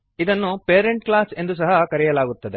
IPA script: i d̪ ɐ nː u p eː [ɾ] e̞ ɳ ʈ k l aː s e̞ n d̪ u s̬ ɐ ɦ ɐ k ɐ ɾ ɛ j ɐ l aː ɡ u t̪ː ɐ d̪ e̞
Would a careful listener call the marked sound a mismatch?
no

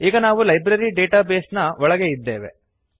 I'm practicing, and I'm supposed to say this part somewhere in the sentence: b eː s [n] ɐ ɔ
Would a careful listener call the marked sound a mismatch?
no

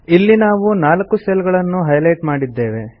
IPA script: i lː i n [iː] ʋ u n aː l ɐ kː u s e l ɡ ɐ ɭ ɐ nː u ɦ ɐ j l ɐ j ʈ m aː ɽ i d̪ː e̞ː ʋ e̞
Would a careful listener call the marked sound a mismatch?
yes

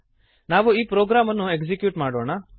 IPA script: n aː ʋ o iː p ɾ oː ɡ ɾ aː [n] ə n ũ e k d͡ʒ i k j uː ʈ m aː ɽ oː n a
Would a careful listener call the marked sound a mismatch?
yes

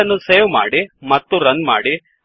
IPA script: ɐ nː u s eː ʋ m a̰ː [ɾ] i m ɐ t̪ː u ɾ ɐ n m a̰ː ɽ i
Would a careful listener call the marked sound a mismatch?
yes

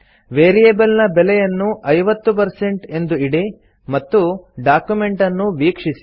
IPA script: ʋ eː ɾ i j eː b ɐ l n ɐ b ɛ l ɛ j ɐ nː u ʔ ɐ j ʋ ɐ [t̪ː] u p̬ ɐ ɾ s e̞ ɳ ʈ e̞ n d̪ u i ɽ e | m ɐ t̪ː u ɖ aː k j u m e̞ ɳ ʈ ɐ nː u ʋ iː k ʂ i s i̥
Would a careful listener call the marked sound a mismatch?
no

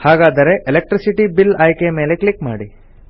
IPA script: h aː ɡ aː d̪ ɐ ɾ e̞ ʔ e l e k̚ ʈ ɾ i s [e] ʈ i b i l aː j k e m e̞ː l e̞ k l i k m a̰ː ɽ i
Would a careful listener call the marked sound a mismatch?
yes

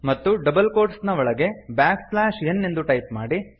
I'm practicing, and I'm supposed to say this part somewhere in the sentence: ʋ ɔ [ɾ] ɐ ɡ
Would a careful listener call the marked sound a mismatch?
yes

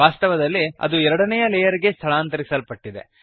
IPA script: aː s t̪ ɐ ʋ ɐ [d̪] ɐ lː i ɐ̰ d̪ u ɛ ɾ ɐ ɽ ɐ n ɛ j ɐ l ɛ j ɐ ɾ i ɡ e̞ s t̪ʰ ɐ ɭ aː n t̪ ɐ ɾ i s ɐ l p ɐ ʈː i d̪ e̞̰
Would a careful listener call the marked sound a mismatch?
no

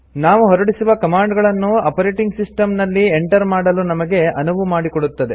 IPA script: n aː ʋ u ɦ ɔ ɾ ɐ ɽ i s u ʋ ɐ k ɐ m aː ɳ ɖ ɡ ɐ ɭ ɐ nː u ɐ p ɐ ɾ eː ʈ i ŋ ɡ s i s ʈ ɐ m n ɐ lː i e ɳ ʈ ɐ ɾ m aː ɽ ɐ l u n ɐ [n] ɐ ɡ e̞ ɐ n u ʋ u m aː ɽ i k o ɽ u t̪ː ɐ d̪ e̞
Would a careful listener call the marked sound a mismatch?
yes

